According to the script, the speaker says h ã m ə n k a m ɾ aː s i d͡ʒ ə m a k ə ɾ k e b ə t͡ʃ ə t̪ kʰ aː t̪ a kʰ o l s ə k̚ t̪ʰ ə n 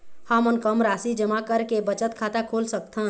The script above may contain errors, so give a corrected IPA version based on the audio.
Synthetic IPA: h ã m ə n k ə m ɾ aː s i d͡ʒ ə m a k ə ɾ k e b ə t͡ʃ ə t̪ kʰ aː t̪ a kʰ o l s ə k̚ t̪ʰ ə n